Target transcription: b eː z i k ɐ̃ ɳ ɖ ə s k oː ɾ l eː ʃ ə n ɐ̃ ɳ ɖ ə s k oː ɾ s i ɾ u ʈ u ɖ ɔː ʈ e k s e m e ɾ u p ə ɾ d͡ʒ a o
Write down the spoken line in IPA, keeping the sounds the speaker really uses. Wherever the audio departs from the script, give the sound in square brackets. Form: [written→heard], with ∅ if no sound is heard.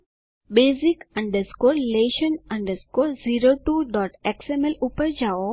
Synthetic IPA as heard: b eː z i k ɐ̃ ɳ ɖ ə s k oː ɾ l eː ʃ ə n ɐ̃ ɳ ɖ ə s k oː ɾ [s→z] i ɾ [u→o] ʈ u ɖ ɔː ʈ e k s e m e [ɾ→l] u p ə ɾ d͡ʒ a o